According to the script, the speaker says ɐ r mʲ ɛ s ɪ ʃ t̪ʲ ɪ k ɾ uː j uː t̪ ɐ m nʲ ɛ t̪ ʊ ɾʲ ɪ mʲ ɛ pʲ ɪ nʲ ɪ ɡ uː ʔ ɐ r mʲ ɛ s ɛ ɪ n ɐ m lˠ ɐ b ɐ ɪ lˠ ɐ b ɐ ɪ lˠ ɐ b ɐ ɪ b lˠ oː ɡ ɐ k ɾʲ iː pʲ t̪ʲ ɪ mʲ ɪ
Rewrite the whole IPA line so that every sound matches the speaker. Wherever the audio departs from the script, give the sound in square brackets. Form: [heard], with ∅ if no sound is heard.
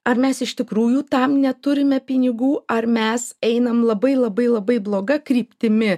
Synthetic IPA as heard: ɐ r mʲ ɛ s ɪ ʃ t̪ʲ ɪ k ɾ uː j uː t̪ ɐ m nʲ ɛ t̪ ʊ ɾʲ ɪ mʲ ɛ pʲ ɪ nʲ ɪ ɡ uː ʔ ɐ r mʲ ɛ s ɛ ɪ n ɐ m lˠ ɐ b ɐ ɪ lˠ ɐ b ɐ ɪ lˠ ɐ b ɐ ɪ b lˠ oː ɡ ɐ k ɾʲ iː pʲ t̪ʲ ɪ mʲ ɪ